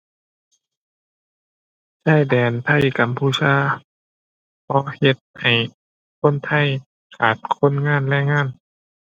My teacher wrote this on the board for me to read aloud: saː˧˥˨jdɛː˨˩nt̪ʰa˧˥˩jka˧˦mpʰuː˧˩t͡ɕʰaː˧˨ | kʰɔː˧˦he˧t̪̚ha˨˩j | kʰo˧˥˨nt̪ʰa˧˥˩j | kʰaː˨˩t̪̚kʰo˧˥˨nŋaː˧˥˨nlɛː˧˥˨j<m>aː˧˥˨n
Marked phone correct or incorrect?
incorrect